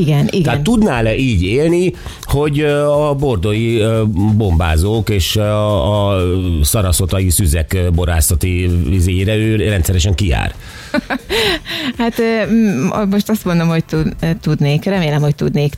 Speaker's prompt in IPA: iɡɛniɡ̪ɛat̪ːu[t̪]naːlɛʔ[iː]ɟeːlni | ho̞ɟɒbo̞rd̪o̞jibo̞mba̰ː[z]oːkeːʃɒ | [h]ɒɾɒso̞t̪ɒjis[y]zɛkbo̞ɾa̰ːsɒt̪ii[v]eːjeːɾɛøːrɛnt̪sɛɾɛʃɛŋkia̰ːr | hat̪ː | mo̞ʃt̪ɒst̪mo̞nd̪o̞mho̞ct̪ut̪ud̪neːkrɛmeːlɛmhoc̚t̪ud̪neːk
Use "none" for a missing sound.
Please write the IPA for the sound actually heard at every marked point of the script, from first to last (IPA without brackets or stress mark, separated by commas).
d̪, iː, z, s, y, z